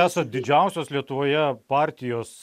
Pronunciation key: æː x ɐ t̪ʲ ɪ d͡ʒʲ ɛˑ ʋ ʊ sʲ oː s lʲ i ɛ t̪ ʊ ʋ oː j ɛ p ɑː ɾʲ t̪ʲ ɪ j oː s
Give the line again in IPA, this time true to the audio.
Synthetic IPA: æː s ɐ d̪ʲ ɪ d͡ʒʲ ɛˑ ʊ sʲ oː s lʲ i ɛ t̪ ʊ ʋ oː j ɛ p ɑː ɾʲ t̪ʲ ɪ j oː s